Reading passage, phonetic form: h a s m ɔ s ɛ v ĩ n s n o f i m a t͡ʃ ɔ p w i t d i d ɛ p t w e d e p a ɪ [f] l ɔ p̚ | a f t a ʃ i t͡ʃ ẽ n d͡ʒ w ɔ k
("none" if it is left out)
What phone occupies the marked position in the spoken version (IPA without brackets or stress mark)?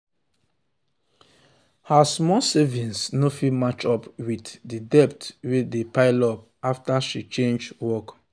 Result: none